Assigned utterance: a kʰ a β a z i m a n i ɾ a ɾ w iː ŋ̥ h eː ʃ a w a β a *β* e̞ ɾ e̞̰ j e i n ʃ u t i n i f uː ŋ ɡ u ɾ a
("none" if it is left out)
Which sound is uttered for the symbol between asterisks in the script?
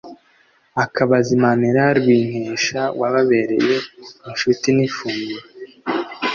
β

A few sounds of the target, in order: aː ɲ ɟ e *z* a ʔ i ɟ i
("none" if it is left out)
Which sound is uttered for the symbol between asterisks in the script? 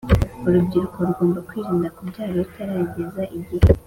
z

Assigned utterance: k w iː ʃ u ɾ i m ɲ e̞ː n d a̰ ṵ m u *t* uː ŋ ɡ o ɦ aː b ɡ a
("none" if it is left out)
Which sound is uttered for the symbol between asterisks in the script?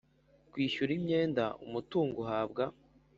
t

